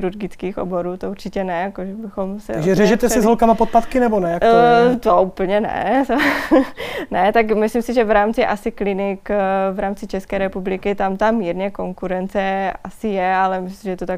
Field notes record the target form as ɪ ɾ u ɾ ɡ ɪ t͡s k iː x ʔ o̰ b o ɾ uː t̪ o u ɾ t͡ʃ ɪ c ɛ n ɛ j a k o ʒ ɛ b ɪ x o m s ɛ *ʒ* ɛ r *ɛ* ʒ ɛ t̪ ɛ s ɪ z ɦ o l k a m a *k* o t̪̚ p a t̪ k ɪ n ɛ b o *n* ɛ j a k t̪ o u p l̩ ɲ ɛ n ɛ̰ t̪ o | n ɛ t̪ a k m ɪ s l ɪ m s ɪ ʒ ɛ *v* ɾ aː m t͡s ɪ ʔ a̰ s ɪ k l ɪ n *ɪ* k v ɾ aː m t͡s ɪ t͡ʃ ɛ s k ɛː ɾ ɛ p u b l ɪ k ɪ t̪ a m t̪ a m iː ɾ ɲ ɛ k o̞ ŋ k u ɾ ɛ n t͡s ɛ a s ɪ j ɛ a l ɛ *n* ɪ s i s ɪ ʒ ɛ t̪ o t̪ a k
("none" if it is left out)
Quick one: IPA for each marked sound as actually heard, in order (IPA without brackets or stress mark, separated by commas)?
ʒ, ɛ, p, n, v, ɪ, m